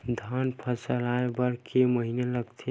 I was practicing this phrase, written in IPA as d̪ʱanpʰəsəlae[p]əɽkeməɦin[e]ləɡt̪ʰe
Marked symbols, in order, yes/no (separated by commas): no, yes